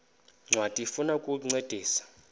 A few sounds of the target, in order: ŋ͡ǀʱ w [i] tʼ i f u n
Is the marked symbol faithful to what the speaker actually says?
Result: no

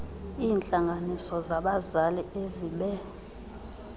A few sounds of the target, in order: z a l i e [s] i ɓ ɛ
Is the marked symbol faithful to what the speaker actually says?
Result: no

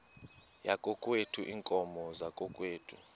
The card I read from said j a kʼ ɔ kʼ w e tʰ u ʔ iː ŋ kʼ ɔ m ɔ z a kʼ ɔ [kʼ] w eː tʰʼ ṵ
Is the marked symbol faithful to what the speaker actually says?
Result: yes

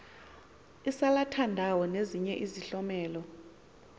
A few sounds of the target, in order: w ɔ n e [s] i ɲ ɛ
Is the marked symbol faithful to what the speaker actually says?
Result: no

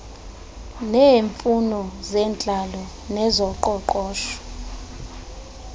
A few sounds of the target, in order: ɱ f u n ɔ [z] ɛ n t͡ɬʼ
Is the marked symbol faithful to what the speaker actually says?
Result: yes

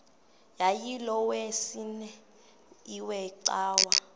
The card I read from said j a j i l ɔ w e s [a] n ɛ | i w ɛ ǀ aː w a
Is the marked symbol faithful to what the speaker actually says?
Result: no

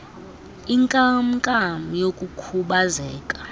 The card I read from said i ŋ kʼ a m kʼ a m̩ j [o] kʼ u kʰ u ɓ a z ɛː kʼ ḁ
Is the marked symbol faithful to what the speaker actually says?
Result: yes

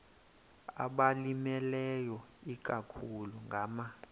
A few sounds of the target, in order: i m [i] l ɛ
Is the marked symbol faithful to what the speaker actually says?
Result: no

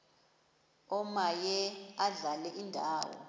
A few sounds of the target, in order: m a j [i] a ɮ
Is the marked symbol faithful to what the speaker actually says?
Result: no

